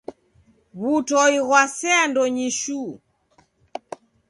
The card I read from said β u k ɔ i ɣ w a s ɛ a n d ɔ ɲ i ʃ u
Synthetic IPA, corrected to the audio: β u t ɔ i ɣ w a s ɛ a n d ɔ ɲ i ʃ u